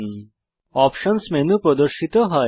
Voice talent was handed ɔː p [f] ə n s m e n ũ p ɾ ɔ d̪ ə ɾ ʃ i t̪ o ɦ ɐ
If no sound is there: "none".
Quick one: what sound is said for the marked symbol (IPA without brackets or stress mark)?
ʃ